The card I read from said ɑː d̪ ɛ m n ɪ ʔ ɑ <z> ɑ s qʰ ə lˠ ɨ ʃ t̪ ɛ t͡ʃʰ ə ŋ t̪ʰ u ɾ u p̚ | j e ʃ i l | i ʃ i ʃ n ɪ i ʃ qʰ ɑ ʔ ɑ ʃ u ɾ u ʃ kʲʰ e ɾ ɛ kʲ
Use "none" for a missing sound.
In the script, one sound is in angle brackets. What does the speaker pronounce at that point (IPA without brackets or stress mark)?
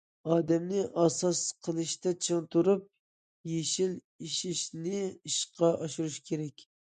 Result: s